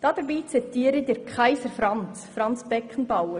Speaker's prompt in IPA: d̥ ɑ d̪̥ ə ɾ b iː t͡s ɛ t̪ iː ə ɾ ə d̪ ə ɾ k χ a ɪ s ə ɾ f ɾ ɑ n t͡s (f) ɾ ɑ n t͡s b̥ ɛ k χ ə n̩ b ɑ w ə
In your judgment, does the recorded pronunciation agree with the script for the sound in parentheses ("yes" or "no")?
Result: yes